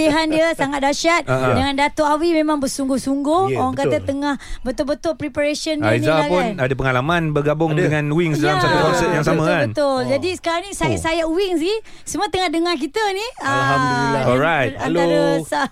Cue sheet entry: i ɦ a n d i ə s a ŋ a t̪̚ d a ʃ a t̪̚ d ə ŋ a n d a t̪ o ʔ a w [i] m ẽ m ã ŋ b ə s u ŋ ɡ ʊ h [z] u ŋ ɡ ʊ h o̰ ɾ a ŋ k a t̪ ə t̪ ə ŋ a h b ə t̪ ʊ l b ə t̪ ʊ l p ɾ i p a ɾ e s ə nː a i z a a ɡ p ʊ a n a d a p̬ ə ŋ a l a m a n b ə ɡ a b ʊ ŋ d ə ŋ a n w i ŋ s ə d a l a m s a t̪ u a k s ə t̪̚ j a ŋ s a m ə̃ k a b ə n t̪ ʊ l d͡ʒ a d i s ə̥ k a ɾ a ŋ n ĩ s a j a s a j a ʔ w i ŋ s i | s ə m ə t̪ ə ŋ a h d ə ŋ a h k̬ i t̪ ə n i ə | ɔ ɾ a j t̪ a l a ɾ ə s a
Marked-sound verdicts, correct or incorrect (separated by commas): correct, incorrect